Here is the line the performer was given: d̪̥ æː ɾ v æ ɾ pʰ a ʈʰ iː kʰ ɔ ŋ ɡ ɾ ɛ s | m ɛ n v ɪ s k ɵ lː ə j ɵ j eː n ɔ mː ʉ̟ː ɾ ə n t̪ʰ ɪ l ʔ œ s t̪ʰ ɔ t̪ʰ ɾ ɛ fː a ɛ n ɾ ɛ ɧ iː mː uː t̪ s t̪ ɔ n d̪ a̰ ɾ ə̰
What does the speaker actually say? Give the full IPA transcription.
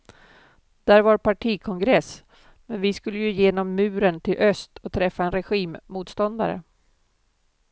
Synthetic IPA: d̪̥ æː ɾ v a ɾ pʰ a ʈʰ iː kʰ ɔ ŋ ɡ ɾ ɛ s | m ɛ n v ɪ s k ɵ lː ə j ɵ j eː n ɔ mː ʉ̟ː ɾ ə n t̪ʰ ɪ l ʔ œ s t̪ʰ ɔ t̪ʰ ɾ ɛ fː a ɛ n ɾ ɛ ɧ iː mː uː t̪ s t̪ ɔ n d̪ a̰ ɾ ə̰